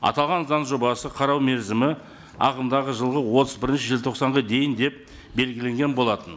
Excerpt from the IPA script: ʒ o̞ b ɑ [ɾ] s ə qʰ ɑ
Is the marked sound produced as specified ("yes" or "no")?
no